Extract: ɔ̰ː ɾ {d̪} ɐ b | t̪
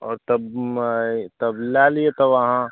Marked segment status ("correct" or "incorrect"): incorrect